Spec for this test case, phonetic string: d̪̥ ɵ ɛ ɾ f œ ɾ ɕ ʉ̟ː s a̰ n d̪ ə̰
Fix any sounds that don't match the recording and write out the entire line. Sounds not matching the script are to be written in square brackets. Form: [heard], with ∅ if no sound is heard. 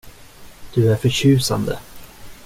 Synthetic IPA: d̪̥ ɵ [æ] ɾ f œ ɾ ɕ ʉ̟ː s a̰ n d̪ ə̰